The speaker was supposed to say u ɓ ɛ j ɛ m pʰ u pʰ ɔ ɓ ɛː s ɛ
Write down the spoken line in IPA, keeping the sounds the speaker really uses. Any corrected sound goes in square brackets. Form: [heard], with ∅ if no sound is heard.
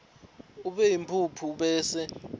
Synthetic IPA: u ɓ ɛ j [i] m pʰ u pʰ [u] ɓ ɛː s ɛ